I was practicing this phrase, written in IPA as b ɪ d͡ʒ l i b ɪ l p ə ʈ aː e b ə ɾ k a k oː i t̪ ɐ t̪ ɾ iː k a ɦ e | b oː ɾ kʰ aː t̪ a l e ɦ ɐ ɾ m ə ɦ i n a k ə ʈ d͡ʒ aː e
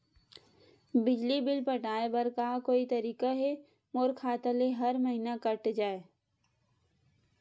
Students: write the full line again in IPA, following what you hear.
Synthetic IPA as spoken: b ɪ d͡ʒ l i b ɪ l p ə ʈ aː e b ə ɾ k a k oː i t̪ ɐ ɾ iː k a ɦ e | m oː ɾ kʰ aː t̪ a l e ɦ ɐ ɾ m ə ɦ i n a k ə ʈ d͡ʒ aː e